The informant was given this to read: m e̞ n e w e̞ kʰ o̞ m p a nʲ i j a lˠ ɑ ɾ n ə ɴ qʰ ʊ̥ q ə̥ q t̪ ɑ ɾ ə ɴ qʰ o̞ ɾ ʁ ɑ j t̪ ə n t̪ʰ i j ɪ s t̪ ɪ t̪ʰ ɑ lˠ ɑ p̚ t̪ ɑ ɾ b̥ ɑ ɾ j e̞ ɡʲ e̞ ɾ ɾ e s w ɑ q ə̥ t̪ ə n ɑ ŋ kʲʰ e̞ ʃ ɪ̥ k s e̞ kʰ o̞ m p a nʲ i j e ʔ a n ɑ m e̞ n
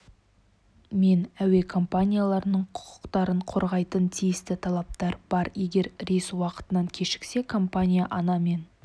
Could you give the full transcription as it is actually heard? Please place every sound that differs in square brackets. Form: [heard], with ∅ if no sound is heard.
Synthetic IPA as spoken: m e̞ n [æ] w e̞ kʰ o̞ m p a nʲ i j a lˠ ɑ ɾ n ə ɴ qʰ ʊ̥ q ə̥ q t̪ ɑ ɾ ə ɴ qʰ o̞ ɾ ʁ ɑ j t̪ ə n t̪ʰ i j ɪ s t̪ ɪ t̪ʰ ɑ lˠ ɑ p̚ t̪ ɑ ɾ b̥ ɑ ɾ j e̞ ɡʲ e̞ ɾ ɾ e s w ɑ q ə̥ t̪ ə n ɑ ŋ kʲʰ e̞ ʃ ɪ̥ k s e̞ kʰ o̞ m p a nʲ i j [a] ʔ [ɑ] n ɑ m e̞ n

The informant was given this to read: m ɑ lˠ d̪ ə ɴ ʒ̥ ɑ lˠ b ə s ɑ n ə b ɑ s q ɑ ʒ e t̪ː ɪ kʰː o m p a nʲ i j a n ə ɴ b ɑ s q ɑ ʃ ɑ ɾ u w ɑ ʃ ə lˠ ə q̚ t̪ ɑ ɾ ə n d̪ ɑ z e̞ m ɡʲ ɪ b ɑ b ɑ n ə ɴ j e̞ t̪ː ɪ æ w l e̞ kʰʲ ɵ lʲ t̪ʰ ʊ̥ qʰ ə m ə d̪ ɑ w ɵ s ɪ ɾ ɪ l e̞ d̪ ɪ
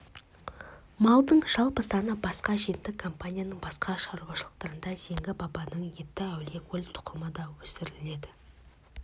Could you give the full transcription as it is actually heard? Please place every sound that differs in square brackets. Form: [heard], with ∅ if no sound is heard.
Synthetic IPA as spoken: m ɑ lˠ d̪ ə ɴ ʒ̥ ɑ lˠ [p] ə s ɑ n ə b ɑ s q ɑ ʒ e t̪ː ɪ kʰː o m p a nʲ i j a n ə ɴ b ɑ s q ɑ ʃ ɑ ɾ u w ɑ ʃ ə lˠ ə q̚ t̪ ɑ ɾ ə n d̪ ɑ z e̞ [ŋ] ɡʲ ɪ b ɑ b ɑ n ə ɴ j e̞ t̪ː ɪ æ w l e̞ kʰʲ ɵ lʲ t̪ʰ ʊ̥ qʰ ə m ə d̪ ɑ w ɵ s ɪ ɾ ɪ l e̞ d̪ ɪ

